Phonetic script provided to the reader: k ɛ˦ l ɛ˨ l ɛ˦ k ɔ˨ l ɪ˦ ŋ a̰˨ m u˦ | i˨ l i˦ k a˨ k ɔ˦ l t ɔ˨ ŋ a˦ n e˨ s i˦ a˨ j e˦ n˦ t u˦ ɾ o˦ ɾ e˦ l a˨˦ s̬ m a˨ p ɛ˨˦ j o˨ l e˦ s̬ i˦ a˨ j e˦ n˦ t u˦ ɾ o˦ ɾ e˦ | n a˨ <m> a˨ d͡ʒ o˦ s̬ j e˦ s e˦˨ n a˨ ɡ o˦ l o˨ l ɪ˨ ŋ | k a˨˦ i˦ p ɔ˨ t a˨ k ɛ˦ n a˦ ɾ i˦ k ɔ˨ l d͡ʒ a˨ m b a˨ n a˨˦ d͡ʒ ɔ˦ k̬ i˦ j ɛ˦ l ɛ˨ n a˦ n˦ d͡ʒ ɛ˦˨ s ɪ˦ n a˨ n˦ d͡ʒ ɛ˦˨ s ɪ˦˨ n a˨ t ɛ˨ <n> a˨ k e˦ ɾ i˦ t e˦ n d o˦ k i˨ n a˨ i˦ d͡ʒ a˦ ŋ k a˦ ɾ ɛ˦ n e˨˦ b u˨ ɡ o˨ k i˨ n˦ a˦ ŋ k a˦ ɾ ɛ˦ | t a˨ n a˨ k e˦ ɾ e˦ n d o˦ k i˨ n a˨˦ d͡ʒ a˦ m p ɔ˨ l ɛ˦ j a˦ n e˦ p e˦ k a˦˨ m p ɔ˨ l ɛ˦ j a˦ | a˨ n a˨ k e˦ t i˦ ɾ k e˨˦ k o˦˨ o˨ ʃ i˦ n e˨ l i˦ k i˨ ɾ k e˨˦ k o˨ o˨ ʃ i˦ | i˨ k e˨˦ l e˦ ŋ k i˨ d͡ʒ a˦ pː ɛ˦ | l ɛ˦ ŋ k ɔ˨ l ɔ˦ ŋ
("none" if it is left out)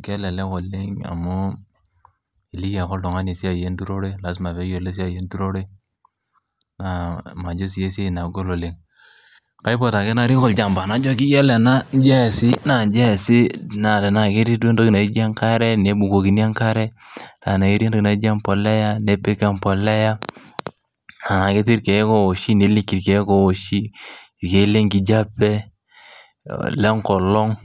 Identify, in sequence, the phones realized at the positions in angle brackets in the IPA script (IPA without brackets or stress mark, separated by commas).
m, n